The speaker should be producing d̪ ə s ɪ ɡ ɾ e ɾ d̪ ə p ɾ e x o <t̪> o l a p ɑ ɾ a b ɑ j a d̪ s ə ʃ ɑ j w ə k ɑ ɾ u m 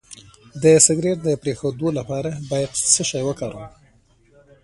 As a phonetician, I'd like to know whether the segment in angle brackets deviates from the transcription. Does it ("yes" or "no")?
yes